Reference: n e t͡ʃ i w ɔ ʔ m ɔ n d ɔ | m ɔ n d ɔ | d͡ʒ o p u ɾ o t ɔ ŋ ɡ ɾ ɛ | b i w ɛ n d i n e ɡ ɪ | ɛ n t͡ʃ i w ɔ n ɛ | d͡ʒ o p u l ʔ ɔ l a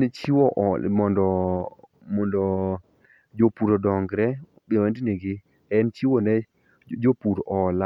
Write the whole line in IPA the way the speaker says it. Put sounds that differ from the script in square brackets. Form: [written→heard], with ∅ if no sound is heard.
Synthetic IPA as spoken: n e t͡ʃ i w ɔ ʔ m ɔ n d ɔ | m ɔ n d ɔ | d͡ʒ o p u ɾ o [t→d] ɔ ŋ ɡ ɾ ɛ | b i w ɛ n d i n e ɡ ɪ | ɛ n t͡ʃ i w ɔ n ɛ | d͡ʒ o p u [l→ɾ] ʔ ɔ l a